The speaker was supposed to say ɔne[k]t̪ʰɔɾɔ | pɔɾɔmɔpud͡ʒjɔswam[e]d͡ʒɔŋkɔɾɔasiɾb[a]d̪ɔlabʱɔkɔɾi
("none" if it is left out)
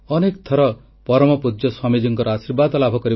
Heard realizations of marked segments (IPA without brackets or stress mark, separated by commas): k, i, a